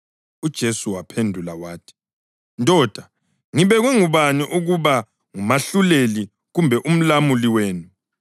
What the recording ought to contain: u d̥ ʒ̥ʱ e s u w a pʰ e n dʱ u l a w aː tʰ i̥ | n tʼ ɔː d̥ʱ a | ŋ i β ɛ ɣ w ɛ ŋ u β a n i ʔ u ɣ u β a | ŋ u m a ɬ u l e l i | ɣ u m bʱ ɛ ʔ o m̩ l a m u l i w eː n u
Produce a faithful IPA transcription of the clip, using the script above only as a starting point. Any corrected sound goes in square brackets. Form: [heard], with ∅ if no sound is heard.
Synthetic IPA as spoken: u d̥ ʒ̥ʱ e s u w a pʰ e n dʱ u l a w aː tʰ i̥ | n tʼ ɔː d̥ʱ a | ŋ i β ɛ ɣ w ɛ ŋ u β a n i ʔ u ɣ u β a | ŋ u m a ɬ u l e l i | ɣ u m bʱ ɛ ʔ [u] m̩ l a m u l i w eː n u